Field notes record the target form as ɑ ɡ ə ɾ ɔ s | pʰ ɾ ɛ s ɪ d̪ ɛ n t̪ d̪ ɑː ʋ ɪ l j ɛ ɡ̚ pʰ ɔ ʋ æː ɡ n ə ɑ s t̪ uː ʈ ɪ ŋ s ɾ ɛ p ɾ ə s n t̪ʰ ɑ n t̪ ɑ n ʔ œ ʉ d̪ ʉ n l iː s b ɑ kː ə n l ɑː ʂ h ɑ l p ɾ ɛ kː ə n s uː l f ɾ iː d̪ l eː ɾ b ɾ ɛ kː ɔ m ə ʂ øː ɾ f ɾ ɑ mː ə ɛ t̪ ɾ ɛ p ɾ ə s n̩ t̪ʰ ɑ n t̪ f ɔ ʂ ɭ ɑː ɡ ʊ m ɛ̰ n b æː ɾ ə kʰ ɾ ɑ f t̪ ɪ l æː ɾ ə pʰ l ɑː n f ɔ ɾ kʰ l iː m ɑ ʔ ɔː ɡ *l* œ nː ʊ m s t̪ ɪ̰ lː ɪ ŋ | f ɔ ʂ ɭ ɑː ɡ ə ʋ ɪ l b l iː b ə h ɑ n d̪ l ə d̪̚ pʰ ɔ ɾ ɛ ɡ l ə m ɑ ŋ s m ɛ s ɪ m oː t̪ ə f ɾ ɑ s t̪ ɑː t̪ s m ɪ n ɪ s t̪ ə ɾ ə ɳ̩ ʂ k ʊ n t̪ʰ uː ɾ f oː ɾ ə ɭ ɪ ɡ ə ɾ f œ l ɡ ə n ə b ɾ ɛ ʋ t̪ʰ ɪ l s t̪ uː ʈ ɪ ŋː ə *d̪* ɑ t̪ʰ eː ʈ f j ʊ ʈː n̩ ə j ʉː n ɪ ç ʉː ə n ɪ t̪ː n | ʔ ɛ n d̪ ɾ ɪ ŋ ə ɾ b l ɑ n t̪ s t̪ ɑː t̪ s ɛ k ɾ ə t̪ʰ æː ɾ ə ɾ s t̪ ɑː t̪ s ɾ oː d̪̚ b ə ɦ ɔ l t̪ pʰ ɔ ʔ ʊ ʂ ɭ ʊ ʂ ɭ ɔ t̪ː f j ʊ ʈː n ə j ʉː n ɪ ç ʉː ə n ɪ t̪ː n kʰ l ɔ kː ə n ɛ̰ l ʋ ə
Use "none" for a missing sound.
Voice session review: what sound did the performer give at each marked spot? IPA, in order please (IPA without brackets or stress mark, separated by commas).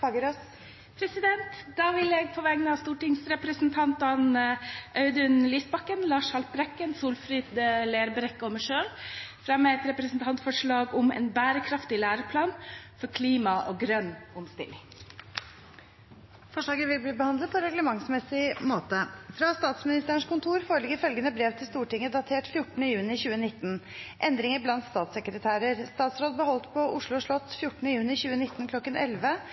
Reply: ɾ, d̪